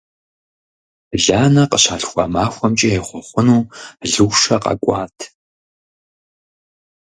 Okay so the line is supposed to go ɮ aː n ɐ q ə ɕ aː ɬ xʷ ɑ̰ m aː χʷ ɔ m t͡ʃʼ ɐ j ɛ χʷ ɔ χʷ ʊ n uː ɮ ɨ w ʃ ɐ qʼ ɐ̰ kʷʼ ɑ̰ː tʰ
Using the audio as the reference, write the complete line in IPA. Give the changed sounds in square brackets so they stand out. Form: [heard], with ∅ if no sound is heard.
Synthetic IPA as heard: ɮ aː n ɐ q ə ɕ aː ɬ xʷ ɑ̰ m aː [xʷ] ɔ m t͡ʃʼ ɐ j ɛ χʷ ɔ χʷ ʊ n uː ɮ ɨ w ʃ ɐ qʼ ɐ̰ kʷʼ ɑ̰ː tʰ